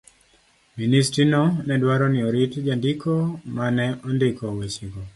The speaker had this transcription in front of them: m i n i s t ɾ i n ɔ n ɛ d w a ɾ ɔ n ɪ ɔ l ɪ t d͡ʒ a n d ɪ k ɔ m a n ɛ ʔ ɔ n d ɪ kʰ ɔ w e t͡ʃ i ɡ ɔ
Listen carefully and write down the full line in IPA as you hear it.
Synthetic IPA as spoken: m i n i s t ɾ i n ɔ n ɛ d w a ɾ ɔ n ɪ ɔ ɾ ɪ t d͡ʒ a n d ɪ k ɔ m a n ɛ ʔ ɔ n d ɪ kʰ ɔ w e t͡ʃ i ɡ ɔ